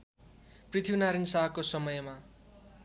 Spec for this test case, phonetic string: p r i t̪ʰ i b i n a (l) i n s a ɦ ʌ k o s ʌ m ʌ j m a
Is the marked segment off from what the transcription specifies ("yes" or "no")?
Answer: yes